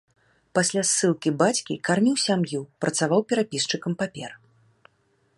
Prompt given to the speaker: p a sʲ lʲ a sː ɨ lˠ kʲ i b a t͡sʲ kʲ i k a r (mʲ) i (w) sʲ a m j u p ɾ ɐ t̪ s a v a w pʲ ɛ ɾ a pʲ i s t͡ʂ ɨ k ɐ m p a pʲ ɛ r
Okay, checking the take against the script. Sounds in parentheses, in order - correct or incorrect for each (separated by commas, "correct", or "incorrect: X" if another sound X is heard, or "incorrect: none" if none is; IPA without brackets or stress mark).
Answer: correct, correct